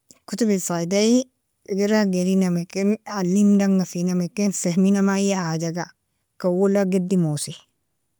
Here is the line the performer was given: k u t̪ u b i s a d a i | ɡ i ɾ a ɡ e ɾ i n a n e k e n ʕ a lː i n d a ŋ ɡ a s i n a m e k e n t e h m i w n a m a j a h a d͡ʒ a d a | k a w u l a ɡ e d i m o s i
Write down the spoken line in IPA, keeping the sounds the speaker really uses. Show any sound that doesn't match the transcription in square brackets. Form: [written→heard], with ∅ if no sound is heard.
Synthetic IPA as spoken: k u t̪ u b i s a d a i | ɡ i ɾ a ɡ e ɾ i n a [n→m] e k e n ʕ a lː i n d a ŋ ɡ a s i n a m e k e n [t→s] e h m i [w→∅] n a m a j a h a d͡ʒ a [d→ɡ] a | k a w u l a ɡ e d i m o s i